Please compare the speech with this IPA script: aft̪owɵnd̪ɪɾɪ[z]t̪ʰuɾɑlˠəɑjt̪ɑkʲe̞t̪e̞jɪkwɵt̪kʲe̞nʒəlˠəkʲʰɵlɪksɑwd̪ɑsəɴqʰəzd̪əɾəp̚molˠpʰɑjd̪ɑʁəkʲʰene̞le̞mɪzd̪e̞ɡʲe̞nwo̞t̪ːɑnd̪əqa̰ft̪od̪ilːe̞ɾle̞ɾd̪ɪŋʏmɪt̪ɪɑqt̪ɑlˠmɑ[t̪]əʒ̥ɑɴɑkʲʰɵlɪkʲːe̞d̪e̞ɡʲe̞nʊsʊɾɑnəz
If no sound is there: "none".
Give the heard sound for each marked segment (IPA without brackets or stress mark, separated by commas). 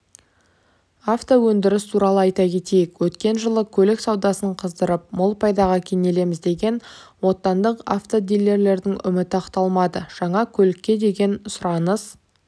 s, d̪